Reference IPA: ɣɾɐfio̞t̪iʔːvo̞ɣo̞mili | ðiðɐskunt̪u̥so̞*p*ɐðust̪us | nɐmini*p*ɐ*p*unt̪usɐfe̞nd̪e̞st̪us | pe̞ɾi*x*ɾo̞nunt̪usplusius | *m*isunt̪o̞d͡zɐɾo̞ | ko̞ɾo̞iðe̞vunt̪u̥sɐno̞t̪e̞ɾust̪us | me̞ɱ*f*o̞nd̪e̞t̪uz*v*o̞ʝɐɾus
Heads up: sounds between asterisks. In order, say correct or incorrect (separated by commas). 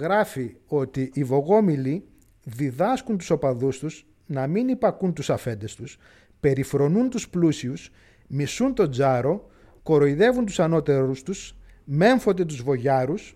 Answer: correct, correct, incorrect, incorrect, correct, correct, correct